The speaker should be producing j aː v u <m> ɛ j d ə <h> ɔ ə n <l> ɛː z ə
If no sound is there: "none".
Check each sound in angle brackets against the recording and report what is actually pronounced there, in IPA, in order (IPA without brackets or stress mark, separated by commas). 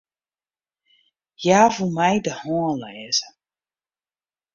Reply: m, h, l